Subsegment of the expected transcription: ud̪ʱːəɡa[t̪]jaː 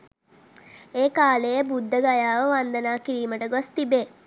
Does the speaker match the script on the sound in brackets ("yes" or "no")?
no